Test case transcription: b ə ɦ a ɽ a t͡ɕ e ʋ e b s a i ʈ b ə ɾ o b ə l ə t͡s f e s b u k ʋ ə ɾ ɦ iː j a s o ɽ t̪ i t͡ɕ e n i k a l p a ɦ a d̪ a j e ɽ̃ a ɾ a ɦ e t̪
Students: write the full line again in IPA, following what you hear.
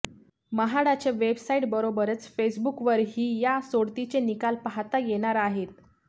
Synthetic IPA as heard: m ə ɦ a ɽ a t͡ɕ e ʋ e b s a i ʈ b ə ɾ o b ə ɾ ə t͡s f e s b u k ʋ ə ɾ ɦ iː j a s o ɽ t̪ i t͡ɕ e n i k a l p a ɦ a t̪ a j e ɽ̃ a ɾ a ɦ e t̪